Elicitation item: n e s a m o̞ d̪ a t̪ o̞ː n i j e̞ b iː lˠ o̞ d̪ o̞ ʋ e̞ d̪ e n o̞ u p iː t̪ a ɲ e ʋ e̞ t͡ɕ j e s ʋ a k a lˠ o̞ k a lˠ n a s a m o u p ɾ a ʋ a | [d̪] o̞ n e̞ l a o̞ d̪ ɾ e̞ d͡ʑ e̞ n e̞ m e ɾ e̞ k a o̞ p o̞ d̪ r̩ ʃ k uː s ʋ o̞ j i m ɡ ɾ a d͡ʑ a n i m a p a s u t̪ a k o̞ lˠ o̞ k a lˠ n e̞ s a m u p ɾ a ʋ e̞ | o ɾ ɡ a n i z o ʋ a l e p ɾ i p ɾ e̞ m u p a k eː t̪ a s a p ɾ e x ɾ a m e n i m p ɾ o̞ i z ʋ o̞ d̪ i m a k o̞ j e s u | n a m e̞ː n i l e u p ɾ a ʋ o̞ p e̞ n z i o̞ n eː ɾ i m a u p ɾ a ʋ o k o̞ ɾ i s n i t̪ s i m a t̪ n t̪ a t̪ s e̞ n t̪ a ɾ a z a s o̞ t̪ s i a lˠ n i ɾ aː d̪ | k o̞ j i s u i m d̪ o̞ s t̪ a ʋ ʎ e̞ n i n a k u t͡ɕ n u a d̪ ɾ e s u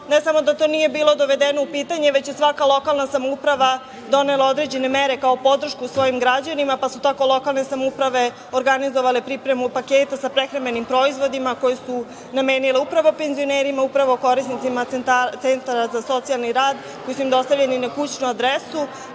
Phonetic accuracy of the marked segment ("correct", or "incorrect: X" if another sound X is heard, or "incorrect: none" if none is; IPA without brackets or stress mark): correct